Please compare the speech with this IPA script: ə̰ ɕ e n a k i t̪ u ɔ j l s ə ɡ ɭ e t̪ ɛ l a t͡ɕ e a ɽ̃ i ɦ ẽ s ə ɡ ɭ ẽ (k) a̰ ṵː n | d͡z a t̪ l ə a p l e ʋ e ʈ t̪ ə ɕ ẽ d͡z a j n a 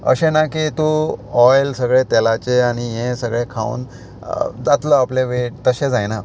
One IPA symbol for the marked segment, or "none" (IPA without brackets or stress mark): kʰ